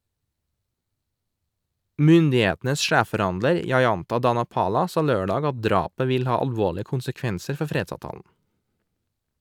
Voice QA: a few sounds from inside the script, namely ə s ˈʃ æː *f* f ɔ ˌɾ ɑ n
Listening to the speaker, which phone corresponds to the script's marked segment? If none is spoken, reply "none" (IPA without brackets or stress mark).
f